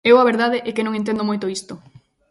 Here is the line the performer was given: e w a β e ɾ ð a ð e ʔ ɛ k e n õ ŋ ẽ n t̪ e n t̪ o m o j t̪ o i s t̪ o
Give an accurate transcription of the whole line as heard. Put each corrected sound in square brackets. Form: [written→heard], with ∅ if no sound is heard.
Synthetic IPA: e w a β e ɾ ð a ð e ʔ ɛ k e n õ ŋ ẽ n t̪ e n [t̪→d̪] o m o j t̪ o i s t̪ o